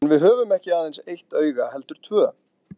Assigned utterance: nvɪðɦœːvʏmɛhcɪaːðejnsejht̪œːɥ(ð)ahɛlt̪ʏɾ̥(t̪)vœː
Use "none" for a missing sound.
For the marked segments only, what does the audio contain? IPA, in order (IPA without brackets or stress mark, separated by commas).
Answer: ɣ, t̪ʰ